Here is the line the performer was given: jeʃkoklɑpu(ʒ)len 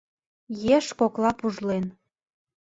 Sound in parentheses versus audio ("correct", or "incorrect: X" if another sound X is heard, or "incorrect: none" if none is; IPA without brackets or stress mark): correct